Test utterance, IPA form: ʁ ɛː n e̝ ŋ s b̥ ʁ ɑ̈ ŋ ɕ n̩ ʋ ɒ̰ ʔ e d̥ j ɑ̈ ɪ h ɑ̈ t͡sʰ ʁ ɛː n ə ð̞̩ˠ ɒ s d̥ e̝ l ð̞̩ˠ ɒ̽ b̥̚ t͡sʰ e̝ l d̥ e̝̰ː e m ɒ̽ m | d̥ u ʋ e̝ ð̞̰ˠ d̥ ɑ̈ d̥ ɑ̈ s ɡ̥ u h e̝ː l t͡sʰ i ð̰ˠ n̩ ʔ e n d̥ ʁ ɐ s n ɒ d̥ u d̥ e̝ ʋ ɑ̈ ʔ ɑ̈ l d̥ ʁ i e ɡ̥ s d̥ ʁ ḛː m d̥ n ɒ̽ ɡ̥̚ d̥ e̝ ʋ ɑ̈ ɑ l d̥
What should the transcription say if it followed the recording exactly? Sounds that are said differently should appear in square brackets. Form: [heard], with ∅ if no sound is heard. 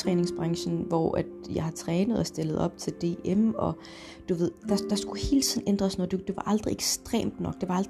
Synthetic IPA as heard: ʁ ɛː n e̝ ŋ s b̥ ʁ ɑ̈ ŋ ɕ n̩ ʋ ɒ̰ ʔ [æ] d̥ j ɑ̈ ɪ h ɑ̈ t͡sʰ ʁ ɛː n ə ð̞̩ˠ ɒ s d̥ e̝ l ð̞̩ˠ ɒ̽ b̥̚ t͡sʰ e̝ l d̥ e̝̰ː e m ɒ̽ [∅] | d̥ u ʋ e̝ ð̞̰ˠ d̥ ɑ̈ d̥ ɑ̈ s ɡ̥ u h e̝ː l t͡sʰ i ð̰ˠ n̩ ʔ e n d̥ ʁ ɐ s n ɒ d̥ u d̥ e̝ ʋ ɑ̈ ʔ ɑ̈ l d̥ ʁ i e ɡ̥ s d̥ ʁ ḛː m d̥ n ɒ̽ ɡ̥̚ d̥ e̝ ʋ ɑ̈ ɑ l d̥